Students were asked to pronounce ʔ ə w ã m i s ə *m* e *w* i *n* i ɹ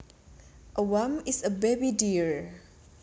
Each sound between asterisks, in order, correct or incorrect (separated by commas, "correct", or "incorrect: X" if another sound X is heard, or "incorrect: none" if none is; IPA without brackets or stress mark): incorrect: b, incorrect: b, incorrect: d